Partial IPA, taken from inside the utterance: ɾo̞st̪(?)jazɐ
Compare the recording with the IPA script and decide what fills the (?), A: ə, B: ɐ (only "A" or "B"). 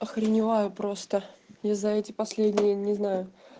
A